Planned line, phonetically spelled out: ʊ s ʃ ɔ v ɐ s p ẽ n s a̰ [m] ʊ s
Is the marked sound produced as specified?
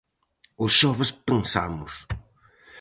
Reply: yes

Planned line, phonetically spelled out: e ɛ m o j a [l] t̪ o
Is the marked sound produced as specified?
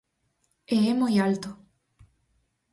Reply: yes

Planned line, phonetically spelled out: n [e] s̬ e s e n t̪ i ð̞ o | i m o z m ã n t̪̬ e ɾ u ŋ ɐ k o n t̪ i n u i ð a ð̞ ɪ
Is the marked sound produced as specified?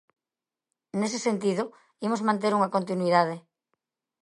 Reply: yes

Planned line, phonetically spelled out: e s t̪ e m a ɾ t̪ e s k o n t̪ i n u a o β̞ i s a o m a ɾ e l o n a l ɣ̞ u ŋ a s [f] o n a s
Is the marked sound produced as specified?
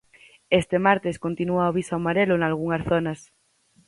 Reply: no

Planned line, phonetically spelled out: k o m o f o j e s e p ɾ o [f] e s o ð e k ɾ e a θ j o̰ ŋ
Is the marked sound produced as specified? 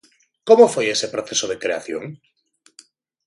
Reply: no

